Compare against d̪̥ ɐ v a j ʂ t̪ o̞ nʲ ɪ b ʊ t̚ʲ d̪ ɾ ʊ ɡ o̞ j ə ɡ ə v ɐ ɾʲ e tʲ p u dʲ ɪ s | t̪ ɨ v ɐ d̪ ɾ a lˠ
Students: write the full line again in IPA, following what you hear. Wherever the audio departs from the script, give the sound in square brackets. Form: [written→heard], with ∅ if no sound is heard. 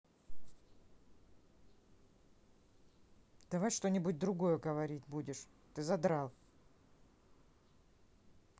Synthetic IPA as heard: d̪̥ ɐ v a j ʂ t̪ o̞ nʲ ɪ b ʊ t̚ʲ d̪ ɾ ʊ ɡ o̞ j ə ɡ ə v ɐ ɾʲ [e→i] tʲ [p→b] u dʲ ɪ [s→ʂ] | t̪ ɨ [v→z] ɐ d̪ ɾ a lˠ